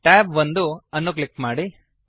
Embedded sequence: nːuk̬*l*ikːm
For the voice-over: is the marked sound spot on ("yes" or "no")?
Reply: yes